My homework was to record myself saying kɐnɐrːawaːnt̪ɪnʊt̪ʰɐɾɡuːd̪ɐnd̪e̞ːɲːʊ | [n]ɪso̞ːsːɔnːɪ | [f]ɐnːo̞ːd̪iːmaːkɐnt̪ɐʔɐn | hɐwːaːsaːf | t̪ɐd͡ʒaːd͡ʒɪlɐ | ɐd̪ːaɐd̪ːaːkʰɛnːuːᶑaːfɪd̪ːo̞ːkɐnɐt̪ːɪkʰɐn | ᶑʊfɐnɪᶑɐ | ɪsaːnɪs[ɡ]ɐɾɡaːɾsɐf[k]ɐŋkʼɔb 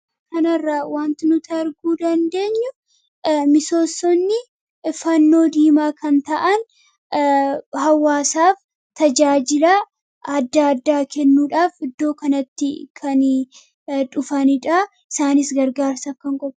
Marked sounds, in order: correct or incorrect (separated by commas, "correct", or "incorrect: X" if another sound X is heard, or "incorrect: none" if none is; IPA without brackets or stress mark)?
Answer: incorrect: m, correct, correct, correct